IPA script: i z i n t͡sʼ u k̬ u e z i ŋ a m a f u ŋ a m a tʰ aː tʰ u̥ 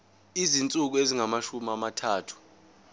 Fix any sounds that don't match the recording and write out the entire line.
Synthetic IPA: i z i n t͡sʼ u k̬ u e z i ŋ a m a ʃ u m a m a tʰ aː tʰ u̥